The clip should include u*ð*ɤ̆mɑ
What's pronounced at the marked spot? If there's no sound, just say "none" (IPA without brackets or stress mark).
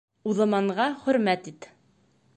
ð